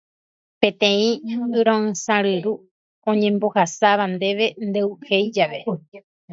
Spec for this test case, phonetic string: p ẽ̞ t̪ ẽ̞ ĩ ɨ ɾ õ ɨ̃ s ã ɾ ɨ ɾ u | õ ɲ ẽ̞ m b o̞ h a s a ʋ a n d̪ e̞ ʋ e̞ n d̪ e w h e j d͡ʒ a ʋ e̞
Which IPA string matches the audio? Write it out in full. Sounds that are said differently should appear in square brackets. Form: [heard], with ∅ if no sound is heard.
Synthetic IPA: p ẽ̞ t̪ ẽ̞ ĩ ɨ ɾ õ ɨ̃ s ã ɾ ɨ ɾ u | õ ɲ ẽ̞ m b o̞ h a s a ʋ a n d̪ e̞ ʋ e̞ n d̪ e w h e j d͡ʒ a ʋ e̞

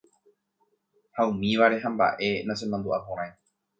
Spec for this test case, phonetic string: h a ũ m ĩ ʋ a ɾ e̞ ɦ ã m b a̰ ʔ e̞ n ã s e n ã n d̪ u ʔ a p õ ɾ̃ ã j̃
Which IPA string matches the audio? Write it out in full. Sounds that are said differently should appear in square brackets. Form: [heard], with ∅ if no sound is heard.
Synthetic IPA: h a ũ m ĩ ʋ a ɾ e̞ ɦ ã m b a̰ ʔ e̞ n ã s e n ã n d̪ u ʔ a p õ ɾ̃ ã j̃

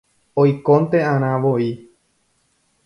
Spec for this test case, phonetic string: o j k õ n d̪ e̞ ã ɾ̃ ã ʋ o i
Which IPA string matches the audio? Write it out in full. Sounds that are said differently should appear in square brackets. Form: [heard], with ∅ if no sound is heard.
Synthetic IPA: o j k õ n [t̪] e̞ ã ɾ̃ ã ʋ o i

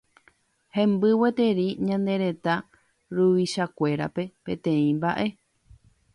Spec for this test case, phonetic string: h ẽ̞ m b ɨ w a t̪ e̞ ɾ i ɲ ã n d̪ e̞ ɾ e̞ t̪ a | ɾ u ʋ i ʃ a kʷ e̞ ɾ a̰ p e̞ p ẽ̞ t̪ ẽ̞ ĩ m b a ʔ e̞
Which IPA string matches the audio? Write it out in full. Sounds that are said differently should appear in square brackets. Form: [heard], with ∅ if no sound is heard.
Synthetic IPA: h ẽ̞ m b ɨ w [e] t̪ e̞ ɾ i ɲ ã n d̪ e̞ ɾ e̞ t̪ a | ɾ u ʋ i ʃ a kʷ e̞ ɾ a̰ p e̞ p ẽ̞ t̪ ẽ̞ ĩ m b a ʔ e̞

